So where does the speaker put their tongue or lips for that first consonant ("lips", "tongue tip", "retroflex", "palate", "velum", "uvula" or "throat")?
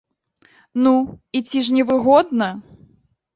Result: tongue tip